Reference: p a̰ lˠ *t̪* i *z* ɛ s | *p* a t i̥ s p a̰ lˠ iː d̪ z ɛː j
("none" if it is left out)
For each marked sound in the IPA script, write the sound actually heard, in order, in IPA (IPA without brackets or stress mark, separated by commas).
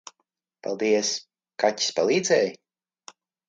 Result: d̪, none, k